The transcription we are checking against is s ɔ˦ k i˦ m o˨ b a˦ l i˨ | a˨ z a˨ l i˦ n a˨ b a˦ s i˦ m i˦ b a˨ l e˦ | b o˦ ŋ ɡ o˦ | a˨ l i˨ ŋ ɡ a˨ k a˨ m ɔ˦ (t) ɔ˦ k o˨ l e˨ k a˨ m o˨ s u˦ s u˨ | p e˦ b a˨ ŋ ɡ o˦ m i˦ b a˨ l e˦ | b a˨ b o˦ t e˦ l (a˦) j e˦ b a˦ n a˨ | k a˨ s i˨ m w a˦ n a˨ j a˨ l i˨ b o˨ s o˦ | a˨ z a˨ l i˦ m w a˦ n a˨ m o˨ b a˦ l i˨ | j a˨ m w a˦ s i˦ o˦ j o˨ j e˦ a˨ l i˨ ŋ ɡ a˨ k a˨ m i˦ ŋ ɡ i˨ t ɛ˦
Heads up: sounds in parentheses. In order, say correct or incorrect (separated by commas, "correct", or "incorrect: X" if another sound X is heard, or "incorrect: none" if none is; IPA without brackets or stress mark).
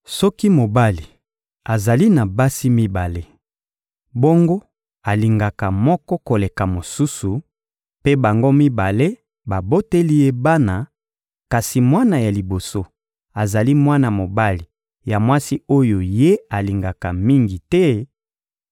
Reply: incorrect: k, incorrect: i˦